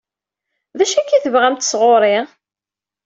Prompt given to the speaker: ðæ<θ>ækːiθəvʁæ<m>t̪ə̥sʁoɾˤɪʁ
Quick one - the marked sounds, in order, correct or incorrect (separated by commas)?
incorrect, correct